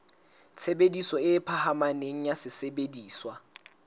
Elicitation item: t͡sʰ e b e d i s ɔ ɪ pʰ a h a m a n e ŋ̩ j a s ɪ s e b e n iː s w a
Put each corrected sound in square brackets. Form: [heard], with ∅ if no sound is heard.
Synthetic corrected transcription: t͡sʰ e b e d i s ɔ ɪ pʰ a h a m a n e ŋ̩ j a s ɪ s e b e [d] iː s w a